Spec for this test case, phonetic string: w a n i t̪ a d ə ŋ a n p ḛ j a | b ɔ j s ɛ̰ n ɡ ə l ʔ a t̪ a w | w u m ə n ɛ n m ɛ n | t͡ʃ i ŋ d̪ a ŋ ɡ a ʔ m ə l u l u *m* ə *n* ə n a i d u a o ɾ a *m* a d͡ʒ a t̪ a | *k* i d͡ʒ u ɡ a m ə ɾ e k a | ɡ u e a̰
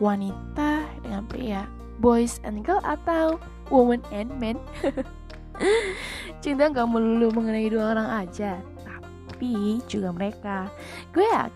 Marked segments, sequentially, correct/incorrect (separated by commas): correct, incorrect, incorrect, incorrect